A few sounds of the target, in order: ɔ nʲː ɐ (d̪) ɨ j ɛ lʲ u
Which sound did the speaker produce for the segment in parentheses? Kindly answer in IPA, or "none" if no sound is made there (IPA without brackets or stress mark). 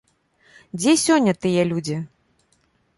t̪